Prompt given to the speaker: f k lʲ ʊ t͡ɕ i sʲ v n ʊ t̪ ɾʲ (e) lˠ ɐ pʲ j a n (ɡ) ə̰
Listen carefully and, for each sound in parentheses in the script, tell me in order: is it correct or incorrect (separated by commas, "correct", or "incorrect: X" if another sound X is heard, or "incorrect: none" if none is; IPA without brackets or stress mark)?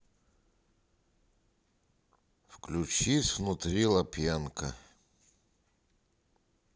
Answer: incorrect: i, incorrect: k